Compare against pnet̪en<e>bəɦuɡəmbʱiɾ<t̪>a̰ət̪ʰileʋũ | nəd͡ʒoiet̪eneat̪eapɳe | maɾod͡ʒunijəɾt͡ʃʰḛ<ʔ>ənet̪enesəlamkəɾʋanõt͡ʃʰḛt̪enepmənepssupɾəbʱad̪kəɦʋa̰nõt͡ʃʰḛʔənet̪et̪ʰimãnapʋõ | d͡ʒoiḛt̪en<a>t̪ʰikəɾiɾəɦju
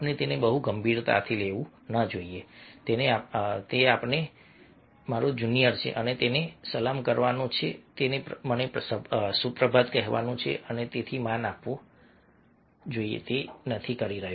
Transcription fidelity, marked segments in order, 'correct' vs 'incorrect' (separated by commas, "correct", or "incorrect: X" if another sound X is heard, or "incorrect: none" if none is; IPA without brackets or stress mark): correct, correct, correct, incorrect: ə